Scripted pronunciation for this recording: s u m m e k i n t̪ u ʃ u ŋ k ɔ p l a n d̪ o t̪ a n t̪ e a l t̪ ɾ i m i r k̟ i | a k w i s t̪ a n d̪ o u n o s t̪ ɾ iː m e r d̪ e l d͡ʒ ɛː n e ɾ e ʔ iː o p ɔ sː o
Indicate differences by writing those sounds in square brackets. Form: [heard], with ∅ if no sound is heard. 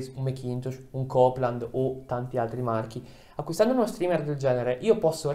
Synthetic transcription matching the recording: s u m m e k i n t̪ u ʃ u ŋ k ɔ p l a n d̪ o t̪ a n t̪ [i] a l t̪ ɾ i m [a] r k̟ i | a k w i s t̪ a n d̪ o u n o s t̪ ɾ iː m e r d̪ e l d͡ʒ ɛː n e ɾ e ʔ iː o p ɔ sː o